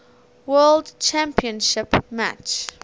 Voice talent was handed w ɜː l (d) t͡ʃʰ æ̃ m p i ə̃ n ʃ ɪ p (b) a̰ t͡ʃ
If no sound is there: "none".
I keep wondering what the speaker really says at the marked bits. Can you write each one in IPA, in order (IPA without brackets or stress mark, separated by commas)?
d, m